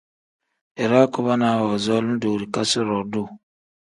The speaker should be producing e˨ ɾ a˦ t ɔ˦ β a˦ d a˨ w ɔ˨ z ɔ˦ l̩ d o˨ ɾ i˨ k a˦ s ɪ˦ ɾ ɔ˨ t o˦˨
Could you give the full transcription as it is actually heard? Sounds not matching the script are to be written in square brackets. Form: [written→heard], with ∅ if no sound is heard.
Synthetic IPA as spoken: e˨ ɾ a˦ [t→k] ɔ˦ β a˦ [d→n] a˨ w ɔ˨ z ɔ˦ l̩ d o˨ ɾ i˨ k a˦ s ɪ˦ ɾ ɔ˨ [t→d] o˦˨